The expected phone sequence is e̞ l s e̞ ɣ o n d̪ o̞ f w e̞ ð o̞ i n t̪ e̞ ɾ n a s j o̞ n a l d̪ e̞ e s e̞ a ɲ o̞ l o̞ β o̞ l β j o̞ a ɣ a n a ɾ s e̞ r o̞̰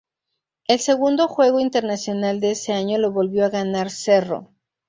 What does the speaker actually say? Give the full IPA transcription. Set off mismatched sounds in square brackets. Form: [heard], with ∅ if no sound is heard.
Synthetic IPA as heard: e̞ l s e̞ ɣ [u] n d̪ o̞ [x] w e̞ [ɣ] o̞ i n t̪ e̞ ɾ n a s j o̞ n a l d̪ e̞ e s e̞ a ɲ o̞ l o̞ β o̞ l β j o̞ a ɣ a n a ɾ s e̞ r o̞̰